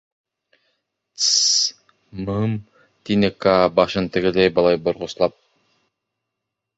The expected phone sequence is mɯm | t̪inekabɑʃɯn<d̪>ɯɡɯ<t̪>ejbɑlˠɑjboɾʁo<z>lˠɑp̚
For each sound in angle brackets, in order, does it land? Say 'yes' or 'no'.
no, no, no

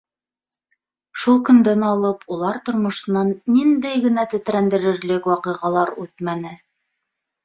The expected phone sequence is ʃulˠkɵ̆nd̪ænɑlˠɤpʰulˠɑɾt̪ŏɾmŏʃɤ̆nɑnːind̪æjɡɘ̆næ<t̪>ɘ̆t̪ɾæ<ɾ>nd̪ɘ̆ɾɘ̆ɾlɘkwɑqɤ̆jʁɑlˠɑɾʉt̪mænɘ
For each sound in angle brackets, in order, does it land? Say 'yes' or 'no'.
yes, no

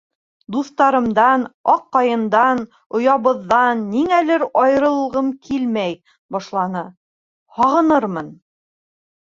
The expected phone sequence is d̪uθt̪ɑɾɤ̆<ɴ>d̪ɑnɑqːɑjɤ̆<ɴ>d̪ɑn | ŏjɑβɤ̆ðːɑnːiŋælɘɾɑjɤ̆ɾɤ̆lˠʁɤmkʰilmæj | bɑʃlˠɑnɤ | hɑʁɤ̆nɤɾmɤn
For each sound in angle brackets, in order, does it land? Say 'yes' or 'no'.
no, no

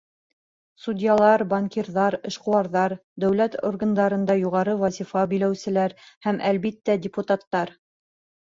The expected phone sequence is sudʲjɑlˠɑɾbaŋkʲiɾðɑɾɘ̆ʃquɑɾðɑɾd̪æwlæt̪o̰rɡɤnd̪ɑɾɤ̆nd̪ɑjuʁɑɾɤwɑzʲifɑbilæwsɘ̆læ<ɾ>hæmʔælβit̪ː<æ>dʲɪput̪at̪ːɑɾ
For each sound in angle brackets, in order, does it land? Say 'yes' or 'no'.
yes, yes

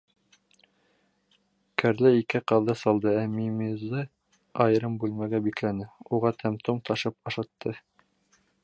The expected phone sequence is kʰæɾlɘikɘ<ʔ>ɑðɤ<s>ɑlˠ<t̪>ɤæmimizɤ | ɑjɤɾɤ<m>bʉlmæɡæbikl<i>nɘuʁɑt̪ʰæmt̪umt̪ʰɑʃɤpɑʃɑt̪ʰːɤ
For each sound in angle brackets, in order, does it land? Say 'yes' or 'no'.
no, yes, no, yes, no

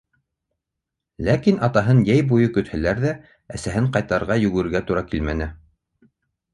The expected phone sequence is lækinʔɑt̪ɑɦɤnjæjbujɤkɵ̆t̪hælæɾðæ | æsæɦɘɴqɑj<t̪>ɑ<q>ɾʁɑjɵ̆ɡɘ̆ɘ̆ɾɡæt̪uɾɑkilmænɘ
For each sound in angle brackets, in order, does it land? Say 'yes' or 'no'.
yes, no

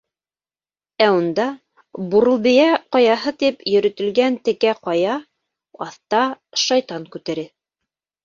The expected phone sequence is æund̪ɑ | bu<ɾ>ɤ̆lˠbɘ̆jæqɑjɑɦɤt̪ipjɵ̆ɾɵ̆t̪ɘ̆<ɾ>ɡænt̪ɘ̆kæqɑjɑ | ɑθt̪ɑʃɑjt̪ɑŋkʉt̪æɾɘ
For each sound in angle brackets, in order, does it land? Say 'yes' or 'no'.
yes, no

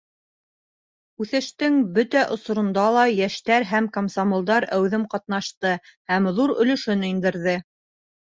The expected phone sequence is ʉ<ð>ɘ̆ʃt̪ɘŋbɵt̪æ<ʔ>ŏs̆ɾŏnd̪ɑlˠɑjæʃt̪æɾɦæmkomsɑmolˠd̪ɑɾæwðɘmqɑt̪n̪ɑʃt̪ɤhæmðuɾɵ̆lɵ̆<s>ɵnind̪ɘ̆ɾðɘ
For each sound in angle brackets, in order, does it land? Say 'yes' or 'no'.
no, yes, no

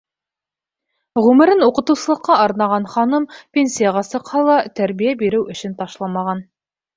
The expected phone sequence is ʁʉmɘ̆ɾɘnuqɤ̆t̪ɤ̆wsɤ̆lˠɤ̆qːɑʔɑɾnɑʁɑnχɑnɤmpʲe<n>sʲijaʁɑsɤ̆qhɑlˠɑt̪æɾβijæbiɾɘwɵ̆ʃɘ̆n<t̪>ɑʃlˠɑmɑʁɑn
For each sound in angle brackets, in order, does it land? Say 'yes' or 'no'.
yes, yes

